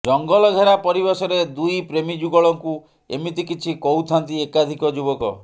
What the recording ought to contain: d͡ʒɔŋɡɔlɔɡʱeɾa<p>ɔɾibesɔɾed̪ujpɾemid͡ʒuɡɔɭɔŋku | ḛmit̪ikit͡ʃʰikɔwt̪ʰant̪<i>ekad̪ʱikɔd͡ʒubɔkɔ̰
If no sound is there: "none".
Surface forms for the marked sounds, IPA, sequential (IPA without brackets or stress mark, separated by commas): p, i